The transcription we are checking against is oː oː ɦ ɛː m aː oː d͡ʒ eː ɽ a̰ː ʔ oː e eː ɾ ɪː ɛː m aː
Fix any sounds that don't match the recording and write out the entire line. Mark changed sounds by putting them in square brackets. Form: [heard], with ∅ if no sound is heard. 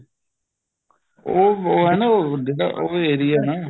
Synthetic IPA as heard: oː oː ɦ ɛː [n] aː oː d͡ʒ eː ɽ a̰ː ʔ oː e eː ɾ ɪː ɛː [n] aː